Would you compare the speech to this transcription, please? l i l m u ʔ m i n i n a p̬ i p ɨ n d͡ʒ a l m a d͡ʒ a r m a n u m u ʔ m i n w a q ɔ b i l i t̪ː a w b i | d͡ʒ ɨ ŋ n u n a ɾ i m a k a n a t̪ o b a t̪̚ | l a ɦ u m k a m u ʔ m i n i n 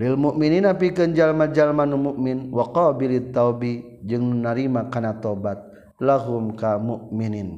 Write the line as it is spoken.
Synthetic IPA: l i l m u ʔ m i n i n a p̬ i k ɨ n d͡ʒ a l m a d͡ʒ a l m a n u m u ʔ m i n w a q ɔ b i l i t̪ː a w b i | d͡ʒ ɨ ŋ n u n a ɾ i m a k a n a t̪ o b a t̪̚ | l a ɦ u m k a m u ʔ m i n i n